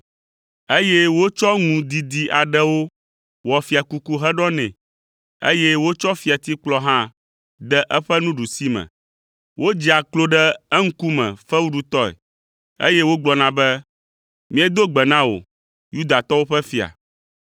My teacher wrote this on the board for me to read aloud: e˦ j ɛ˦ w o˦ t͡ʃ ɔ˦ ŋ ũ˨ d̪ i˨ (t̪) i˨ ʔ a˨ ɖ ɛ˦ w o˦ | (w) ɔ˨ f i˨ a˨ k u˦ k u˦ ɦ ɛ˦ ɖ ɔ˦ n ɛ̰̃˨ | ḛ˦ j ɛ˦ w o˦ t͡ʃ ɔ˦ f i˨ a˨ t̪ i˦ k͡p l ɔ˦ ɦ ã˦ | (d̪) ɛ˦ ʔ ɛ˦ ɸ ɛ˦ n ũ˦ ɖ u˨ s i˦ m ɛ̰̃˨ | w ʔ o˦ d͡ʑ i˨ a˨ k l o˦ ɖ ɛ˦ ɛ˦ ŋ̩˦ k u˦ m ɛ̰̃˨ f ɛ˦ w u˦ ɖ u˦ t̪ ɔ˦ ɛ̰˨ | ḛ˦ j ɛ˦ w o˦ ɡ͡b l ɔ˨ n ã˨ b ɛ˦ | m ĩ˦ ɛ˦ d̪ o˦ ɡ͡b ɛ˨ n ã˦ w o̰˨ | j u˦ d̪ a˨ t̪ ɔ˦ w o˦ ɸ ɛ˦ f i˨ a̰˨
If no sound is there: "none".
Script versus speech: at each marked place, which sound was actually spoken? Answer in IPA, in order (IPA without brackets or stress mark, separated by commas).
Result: d̪, w, d̪